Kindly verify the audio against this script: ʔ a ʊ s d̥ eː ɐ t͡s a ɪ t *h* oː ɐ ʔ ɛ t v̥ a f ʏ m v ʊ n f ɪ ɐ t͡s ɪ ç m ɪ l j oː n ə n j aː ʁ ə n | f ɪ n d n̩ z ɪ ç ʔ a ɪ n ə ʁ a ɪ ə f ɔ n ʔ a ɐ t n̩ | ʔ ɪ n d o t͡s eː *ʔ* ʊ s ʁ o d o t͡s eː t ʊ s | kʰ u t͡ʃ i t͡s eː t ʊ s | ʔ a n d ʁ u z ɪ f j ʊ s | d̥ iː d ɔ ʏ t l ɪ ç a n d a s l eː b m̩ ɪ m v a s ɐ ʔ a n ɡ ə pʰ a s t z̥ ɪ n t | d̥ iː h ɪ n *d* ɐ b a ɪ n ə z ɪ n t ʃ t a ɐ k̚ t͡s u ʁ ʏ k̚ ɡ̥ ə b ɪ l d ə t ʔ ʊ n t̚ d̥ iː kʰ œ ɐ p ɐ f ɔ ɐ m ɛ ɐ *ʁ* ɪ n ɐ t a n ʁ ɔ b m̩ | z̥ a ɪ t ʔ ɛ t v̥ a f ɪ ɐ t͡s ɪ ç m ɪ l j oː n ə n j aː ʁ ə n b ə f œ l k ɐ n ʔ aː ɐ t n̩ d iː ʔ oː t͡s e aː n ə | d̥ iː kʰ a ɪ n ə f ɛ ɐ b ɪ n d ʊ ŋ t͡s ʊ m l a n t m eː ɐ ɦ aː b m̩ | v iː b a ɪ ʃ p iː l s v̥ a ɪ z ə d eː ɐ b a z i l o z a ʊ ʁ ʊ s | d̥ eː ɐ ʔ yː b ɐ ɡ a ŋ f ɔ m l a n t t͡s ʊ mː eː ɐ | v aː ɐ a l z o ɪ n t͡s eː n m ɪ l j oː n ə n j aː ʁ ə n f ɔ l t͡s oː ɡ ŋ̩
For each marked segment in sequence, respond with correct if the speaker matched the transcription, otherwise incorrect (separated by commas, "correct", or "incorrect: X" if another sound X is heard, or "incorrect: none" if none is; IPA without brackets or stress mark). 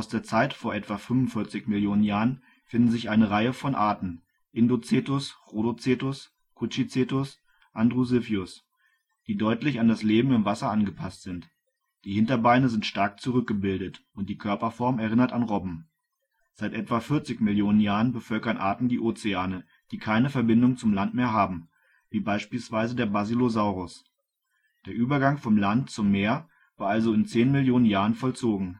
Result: incorrect: f, incorrect: t, incorrect: t, correct